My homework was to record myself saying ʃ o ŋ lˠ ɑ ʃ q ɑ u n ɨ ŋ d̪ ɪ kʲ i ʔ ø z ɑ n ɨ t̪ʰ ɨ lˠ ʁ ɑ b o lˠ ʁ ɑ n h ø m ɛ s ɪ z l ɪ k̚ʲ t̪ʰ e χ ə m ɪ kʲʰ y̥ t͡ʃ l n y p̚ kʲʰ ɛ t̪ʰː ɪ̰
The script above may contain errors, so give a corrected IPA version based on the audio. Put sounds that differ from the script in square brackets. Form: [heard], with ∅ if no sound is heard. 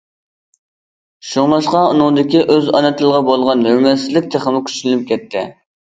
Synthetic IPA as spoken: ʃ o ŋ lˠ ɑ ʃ q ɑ u n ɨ ŋ d̪ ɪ kʲ i ʔ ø z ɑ n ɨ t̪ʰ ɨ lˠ ʁ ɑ b o lˠ ʁ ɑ n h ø m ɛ s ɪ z l ɪ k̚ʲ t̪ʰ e χ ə m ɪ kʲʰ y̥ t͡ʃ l n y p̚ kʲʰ ɛ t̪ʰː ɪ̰

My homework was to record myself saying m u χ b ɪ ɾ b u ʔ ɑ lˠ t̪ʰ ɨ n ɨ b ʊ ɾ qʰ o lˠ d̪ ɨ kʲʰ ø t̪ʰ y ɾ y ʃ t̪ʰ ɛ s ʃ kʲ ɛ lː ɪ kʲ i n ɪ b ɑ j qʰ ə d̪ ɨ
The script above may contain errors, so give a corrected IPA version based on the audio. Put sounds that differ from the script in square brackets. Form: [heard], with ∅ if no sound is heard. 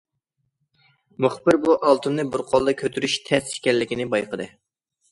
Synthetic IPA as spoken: m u χ b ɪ ɾ b u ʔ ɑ lˠ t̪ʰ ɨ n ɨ b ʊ ɾ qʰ o lˠ d̪ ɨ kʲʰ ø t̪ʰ y ɾ y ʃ t̪ʰ ɛ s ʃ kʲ ɛ lː ɪ kʲ i n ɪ b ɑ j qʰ ə d̪ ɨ

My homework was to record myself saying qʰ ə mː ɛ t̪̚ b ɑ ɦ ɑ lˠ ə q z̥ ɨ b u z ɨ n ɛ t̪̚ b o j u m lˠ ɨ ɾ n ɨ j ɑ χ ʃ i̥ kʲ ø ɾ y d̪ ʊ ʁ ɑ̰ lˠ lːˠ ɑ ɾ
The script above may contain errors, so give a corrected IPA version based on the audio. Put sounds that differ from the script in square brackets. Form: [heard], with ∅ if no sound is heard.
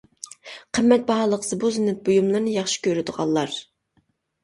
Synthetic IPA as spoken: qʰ ə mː ɛ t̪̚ b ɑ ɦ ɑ lˠ ə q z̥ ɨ b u z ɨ n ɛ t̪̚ b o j u m lˠ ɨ ɾ n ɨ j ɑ χ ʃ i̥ kʲ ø ɾ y d̪ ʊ ʁ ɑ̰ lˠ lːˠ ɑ ɾ

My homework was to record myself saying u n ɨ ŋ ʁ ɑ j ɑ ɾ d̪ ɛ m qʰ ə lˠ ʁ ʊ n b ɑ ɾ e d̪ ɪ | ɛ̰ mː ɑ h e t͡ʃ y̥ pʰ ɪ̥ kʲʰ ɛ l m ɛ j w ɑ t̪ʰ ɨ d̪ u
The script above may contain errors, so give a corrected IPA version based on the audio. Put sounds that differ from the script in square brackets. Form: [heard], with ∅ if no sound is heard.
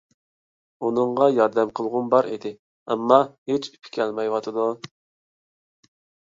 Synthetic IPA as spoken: u n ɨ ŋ ʁ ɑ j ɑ ɾ d̪ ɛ m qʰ ə lˠ ʁ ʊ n b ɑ ɾ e d̪ ɪ | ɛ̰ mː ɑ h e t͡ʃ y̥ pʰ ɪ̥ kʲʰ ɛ l m ɛ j w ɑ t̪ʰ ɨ d̪ u

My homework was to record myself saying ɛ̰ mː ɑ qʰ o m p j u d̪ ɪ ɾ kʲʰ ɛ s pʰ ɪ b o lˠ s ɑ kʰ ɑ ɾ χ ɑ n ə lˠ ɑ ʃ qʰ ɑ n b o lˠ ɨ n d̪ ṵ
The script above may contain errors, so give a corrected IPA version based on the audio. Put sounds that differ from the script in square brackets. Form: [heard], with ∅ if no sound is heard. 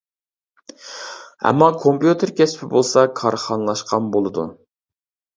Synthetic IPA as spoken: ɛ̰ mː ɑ [kʰ] o m p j u [t̪] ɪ ɾ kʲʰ ɛ s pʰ ɪ b o lˠ s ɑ kʰ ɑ ɾ χ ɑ n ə lˠ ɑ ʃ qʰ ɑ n b o lˠ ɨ [∅] d̪ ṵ

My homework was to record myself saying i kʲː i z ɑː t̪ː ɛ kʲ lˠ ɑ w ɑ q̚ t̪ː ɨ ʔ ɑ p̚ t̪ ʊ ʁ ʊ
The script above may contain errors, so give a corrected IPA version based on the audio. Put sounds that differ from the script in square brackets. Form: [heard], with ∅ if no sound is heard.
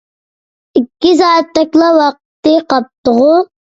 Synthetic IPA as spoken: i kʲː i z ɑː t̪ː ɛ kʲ lˠ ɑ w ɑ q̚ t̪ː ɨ [q] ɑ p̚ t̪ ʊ ʁ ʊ

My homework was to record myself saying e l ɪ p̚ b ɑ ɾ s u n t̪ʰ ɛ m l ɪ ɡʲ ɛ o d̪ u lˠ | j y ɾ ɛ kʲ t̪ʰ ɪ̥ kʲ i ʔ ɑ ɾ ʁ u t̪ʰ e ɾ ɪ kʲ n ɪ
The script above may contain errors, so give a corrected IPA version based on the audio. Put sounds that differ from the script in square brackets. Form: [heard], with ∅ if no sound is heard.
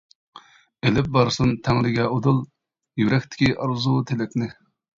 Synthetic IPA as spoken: e l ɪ p̚ b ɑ ɾ s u n t̪ʰ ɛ [ŋ] l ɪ ɡʲ ɛ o d̪ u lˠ | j y ɾ ɛ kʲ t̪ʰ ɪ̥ kʲ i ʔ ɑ ɾ [z] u t̪ʰ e [l] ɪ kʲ n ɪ

